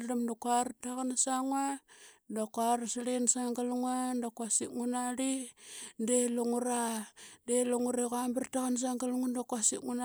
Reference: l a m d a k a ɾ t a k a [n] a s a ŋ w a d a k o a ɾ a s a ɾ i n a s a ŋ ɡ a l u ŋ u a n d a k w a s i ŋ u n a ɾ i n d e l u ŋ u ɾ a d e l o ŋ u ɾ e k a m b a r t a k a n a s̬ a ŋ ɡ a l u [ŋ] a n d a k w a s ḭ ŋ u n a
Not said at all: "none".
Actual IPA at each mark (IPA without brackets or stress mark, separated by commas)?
n, ŋ